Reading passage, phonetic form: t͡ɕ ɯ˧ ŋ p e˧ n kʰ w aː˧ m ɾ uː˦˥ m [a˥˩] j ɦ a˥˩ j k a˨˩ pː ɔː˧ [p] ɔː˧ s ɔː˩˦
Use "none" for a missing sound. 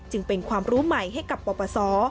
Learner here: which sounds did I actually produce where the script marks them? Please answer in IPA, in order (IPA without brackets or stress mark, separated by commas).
a˨˩, p